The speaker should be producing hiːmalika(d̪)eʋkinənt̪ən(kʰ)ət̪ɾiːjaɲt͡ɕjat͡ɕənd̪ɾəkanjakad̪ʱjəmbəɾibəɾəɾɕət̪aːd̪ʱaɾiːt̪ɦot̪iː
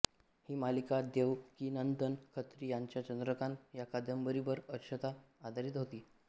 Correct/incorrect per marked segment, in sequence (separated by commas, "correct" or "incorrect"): correct, correct